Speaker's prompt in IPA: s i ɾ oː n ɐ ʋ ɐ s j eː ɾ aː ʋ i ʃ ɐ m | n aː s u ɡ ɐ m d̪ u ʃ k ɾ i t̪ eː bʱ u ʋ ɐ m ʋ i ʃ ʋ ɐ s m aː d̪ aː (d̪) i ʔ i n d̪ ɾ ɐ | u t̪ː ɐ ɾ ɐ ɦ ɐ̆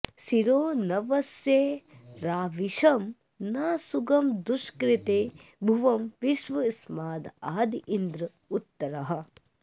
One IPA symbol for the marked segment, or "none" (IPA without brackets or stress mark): d̪